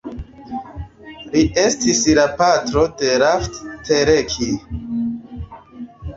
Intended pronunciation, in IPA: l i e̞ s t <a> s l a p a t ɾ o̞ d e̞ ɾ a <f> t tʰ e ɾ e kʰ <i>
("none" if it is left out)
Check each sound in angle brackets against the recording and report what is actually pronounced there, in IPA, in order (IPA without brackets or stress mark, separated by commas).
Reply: i, f, i